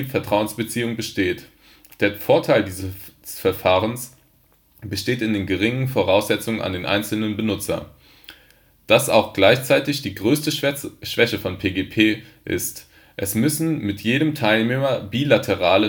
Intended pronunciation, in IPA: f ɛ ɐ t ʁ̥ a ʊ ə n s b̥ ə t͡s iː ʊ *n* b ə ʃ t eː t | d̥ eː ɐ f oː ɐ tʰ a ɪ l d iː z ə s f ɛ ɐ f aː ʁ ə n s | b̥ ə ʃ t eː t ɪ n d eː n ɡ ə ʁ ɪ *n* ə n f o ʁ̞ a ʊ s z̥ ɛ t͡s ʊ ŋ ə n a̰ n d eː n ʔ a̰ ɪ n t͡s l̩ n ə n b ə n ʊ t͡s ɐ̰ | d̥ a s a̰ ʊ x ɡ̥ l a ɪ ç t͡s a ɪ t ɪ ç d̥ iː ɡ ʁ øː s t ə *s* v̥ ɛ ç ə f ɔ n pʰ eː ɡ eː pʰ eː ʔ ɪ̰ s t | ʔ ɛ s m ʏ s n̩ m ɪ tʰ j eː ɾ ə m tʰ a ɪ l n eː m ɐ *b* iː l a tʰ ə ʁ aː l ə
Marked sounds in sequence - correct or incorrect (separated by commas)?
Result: incorrect, incorrect, incorrect, correct